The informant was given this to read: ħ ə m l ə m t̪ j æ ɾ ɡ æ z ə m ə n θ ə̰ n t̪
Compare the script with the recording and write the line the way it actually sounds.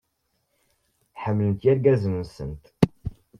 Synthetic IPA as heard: ħ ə m l ə n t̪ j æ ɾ ɡ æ z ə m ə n s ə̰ n t̪

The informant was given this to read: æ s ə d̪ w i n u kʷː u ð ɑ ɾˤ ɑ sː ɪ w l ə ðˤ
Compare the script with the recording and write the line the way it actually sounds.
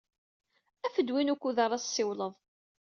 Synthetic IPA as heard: æ f ə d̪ w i n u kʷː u ð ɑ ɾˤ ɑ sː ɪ w l ə ðˤ

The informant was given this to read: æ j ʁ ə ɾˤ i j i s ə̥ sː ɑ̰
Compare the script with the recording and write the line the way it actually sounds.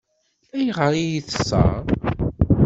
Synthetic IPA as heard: æ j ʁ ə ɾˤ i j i θ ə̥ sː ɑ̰

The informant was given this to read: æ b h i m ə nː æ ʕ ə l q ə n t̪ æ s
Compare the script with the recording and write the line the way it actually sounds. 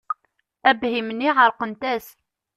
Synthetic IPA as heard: æ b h i m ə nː i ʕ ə ɾ q ə n t̪ æ s

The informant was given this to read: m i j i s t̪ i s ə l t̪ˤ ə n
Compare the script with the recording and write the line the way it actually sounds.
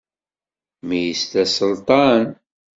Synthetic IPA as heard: m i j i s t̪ æ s ə l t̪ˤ ɑ n

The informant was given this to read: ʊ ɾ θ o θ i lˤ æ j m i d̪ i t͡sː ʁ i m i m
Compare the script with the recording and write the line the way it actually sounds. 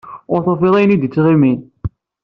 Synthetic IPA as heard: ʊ ɾ θ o f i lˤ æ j n i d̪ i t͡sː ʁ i m i n

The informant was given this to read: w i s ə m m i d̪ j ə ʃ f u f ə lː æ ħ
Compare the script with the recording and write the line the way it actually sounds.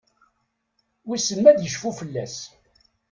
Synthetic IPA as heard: w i s ə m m æ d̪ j ə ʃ f u f ə lː æ s

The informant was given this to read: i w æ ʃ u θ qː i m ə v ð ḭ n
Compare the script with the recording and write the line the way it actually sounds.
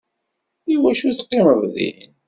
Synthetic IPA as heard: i w æ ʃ u θ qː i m ə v ð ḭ n

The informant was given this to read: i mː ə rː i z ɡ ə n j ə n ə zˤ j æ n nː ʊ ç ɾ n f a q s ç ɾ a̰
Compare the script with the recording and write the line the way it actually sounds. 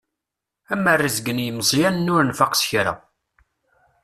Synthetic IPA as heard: æ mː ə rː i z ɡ ə n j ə m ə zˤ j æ n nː ʊ ɾ n f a q s ç ɾ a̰

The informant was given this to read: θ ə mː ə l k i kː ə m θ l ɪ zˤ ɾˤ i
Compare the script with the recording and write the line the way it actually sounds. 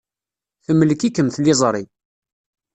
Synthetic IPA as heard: θ ə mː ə l k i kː ə m θ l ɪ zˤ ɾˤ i

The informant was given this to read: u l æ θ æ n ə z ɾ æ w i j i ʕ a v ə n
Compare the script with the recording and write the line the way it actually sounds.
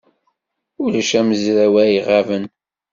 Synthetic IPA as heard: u l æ ʃ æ m ə z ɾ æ w æ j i ʁ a v ə n

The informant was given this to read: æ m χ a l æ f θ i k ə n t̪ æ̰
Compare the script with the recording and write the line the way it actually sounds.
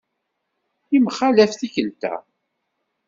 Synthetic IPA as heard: i m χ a l æ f θ i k ə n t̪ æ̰

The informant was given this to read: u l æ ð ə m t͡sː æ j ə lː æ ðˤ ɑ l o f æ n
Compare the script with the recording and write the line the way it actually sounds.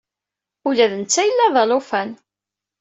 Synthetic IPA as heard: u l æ ð ə n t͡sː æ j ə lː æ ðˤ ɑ l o f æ n

